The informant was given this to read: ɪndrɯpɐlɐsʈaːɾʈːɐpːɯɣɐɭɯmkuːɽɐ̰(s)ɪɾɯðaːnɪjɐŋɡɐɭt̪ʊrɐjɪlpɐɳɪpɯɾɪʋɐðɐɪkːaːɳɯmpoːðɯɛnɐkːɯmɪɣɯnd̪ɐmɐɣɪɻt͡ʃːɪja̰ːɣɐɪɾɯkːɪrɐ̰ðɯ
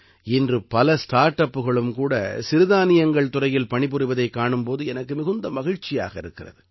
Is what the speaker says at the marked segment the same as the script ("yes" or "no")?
yes